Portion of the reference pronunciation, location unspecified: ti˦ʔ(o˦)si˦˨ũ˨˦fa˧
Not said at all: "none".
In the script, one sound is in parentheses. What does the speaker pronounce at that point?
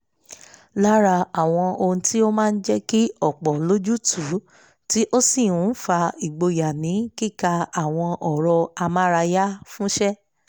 o˦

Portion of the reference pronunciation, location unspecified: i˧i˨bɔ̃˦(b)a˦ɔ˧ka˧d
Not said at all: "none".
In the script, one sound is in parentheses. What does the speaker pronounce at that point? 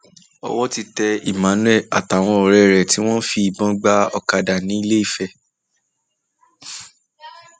ɡ͡b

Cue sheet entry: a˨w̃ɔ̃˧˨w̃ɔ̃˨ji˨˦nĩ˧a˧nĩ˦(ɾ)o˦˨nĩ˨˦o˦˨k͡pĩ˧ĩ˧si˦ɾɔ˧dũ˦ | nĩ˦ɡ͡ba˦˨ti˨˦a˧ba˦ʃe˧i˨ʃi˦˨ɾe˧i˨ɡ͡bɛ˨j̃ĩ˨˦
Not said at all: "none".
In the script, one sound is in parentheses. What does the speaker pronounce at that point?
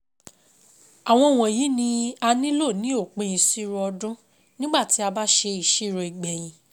l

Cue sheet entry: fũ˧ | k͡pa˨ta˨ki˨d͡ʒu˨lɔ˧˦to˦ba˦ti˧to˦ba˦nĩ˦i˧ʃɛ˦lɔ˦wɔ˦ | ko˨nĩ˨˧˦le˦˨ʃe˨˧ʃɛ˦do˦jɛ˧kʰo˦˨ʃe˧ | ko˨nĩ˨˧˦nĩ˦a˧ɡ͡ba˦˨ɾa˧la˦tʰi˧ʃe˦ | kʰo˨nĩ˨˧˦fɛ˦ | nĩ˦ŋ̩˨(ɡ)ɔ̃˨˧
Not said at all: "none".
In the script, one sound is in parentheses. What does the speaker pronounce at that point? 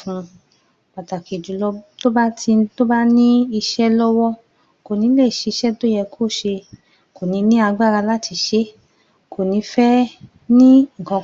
k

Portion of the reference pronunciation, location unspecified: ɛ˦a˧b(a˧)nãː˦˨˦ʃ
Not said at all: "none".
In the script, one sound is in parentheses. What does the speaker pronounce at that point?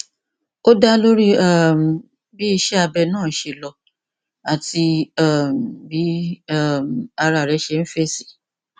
ɛ˧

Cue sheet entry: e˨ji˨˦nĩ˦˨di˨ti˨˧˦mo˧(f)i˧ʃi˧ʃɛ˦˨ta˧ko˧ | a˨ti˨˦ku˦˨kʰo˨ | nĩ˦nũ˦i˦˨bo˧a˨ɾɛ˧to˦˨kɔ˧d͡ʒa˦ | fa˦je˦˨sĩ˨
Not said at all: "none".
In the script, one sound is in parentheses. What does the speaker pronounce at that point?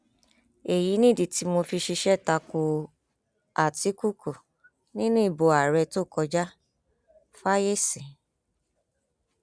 f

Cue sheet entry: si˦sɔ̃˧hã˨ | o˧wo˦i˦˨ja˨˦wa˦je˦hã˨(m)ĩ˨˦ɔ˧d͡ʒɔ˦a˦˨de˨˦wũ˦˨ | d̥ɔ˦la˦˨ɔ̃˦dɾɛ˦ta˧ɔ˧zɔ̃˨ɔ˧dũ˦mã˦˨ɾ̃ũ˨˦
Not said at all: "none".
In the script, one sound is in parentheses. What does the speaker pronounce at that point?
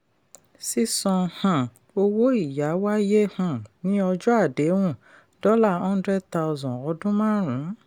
n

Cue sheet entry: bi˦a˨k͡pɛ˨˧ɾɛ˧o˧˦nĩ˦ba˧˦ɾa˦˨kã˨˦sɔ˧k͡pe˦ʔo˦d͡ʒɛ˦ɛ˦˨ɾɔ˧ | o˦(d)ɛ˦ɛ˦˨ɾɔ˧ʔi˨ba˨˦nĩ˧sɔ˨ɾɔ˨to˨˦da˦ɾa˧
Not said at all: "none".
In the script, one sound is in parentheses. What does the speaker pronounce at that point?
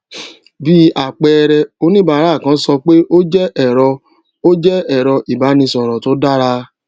d͡ʒ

